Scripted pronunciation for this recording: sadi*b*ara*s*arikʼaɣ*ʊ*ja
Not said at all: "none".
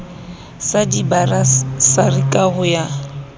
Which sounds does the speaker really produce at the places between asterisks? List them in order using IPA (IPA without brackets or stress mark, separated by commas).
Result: b, s, ʊ